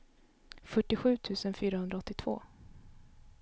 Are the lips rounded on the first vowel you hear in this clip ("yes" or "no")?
yes